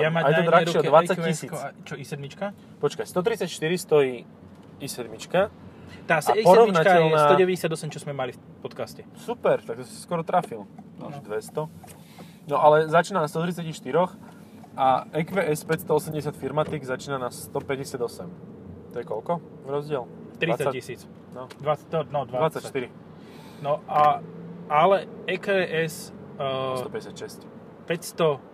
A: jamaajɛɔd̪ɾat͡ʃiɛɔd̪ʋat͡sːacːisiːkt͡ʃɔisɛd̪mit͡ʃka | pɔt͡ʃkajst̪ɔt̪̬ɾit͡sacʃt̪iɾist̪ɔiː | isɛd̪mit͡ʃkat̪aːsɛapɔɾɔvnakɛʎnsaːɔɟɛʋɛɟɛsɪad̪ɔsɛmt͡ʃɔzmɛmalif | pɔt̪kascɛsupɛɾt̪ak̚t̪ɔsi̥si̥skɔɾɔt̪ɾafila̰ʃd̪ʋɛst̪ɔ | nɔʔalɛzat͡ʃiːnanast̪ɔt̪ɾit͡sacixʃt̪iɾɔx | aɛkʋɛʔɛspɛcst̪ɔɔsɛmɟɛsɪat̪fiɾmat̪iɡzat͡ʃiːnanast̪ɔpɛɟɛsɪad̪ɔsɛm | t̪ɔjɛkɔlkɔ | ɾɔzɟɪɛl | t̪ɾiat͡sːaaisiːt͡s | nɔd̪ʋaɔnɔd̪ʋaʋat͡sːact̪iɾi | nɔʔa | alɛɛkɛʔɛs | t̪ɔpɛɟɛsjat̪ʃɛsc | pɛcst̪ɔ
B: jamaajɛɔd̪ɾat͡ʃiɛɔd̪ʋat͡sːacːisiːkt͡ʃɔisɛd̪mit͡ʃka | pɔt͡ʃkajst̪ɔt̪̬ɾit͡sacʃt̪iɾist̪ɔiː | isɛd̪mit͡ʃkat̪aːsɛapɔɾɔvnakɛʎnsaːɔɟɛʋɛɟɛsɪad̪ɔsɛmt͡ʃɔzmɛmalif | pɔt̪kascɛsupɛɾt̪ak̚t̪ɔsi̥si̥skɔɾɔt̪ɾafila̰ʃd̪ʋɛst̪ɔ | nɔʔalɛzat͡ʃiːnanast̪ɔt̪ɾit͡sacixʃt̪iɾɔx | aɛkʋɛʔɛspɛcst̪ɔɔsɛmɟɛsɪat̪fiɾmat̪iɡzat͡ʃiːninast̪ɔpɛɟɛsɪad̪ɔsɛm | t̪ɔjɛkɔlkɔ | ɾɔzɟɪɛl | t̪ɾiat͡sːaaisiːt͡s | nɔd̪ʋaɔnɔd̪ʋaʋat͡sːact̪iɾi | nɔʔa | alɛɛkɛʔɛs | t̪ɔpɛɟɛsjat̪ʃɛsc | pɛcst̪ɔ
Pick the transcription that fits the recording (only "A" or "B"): A